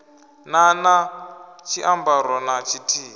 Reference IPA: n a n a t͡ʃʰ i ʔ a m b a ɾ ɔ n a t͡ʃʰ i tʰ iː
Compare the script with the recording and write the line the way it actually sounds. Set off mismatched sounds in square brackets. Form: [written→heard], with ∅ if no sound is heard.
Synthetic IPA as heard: n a n a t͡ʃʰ i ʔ a m b a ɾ ɔ n a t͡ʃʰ i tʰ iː